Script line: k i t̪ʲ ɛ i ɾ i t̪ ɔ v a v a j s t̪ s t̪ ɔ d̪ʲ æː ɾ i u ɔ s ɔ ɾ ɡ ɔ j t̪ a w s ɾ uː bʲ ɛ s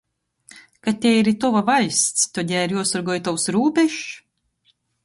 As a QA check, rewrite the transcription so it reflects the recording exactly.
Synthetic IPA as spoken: k a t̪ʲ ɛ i ɾ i t̪ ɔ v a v a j s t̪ s t̪ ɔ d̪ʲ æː ɾ j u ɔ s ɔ ɾ ɡ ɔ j t̪ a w s ɾ uː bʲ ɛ ʃ